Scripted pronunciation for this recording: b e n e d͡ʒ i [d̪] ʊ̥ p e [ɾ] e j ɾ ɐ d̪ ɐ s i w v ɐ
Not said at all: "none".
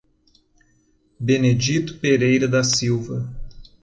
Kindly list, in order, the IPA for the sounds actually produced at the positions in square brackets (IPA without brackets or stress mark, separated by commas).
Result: t̪, ɾ